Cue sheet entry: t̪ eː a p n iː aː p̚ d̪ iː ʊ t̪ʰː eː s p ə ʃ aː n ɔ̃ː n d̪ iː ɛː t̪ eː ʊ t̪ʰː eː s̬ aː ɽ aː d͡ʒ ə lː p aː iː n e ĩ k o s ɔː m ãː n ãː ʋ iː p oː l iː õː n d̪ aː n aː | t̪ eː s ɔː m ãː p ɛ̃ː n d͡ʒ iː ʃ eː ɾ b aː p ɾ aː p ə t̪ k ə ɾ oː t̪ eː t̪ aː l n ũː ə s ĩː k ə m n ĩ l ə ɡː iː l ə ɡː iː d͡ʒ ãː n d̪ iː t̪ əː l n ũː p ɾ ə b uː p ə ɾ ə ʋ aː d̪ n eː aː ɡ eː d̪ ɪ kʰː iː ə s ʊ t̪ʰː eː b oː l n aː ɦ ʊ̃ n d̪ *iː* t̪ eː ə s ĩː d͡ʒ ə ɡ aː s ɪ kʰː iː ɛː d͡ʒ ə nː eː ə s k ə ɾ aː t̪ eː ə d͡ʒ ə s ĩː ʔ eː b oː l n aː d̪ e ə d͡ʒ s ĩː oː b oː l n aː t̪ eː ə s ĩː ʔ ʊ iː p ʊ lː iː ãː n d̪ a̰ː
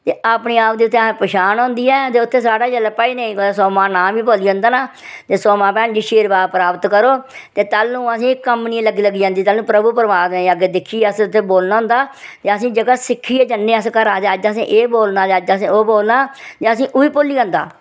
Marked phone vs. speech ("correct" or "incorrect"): incorrect